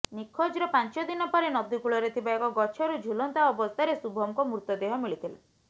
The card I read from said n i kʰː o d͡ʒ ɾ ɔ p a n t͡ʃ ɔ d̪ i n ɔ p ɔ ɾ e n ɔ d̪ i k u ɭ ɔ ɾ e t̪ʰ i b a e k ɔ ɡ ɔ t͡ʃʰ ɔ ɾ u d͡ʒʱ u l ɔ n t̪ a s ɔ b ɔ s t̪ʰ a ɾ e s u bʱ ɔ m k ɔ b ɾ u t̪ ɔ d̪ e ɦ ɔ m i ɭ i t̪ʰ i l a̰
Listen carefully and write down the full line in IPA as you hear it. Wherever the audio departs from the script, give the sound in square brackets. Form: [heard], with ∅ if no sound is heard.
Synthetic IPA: n i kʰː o d͡ʒ ɾ ɔ p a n t͡ʃ ɔ d̪ i n ɔ p ɔ ɾ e n ɔ d̪ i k u ɭ ɔ ɾ e t̪ʰ i b a e k ɔ ɡ ɔ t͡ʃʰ ɔ ɾ u d͡ʒʱ u l ɔ n t̪ a [∅] ɔ b ɔ s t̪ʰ a ɾ e s u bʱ ɔ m k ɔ [m] ɾ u t̪ ɔ d̪ e ɦ ɔ m i ɭ i t̪ʰ i l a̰